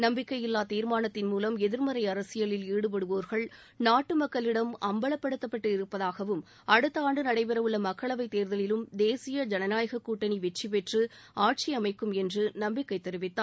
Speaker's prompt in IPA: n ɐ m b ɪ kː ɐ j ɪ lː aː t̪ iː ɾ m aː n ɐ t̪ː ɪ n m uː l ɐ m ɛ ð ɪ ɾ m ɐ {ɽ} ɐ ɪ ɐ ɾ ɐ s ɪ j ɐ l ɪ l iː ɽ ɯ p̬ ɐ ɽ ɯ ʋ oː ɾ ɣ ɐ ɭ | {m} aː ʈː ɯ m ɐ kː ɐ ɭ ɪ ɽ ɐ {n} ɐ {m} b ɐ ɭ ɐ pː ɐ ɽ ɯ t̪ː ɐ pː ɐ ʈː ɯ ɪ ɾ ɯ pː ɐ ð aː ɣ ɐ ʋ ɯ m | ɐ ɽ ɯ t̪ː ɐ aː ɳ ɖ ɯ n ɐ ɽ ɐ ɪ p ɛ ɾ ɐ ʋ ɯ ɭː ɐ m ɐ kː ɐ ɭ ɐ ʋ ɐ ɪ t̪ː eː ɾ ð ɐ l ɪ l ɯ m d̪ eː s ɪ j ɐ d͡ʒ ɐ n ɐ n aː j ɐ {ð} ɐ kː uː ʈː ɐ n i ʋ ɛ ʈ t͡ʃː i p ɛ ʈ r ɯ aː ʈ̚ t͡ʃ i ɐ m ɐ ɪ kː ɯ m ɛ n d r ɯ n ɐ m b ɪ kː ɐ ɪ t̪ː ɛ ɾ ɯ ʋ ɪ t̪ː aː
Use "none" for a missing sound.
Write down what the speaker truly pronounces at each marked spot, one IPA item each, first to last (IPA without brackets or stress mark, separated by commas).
ɾ, n, m, m, ɣ